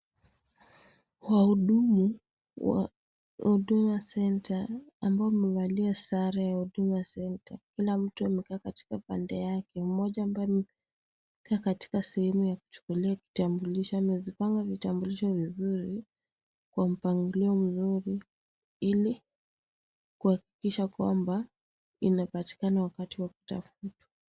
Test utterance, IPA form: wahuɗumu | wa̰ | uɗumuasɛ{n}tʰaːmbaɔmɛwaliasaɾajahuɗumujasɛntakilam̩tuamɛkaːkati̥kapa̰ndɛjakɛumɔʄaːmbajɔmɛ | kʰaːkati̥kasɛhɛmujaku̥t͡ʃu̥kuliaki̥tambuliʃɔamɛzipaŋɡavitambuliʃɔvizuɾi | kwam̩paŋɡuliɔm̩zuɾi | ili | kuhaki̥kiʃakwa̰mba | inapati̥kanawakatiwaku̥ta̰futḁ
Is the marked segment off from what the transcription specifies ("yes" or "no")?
no